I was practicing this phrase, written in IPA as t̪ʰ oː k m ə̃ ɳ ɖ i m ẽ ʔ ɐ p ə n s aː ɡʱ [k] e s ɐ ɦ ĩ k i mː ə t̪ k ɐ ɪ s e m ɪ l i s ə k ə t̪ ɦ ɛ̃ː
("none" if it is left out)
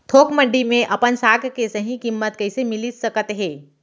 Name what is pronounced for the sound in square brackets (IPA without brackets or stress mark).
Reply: k